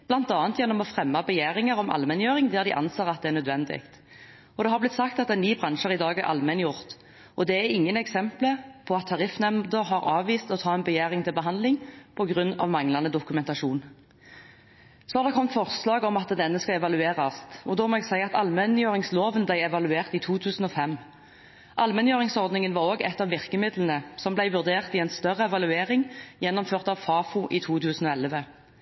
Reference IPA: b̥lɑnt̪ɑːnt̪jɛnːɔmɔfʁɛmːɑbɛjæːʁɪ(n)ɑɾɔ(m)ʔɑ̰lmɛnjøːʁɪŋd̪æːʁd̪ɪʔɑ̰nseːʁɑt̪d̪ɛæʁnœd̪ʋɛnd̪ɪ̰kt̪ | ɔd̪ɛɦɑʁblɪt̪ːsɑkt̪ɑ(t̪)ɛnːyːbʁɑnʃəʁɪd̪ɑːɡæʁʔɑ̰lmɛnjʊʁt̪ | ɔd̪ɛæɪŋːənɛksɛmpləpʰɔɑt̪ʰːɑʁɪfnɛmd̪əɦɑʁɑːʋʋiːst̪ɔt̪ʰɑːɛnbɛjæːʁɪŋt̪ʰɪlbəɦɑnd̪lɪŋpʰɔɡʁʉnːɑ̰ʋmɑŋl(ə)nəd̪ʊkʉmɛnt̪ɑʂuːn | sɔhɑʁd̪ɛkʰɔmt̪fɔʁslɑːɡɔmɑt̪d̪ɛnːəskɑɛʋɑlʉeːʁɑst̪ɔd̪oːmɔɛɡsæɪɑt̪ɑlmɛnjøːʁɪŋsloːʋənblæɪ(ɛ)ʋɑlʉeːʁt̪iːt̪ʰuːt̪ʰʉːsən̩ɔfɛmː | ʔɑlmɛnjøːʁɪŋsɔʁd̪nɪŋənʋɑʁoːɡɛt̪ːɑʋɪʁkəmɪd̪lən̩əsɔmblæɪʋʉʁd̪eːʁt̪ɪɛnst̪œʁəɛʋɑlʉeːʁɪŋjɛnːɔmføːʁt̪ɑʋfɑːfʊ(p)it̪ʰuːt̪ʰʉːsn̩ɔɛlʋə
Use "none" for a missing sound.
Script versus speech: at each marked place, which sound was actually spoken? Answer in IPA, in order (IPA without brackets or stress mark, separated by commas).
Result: ŋ, m, t̪, ɑ, ɛ, ʔ